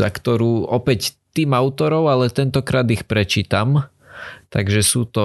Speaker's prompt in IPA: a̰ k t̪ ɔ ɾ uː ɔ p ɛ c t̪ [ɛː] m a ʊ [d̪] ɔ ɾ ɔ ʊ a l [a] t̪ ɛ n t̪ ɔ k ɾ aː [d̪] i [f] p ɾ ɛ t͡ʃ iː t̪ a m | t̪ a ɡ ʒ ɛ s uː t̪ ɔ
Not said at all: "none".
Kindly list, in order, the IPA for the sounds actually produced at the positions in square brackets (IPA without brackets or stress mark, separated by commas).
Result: iː, t̪, ɛ, d̪, x